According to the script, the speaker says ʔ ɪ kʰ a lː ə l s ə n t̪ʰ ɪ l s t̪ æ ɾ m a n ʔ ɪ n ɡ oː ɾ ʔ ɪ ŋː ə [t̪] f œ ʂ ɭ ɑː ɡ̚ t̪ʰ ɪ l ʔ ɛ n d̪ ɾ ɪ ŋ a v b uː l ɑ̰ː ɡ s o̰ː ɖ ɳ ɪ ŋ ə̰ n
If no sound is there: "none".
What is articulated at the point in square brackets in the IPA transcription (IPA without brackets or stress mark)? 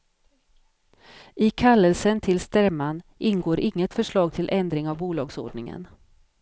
t̪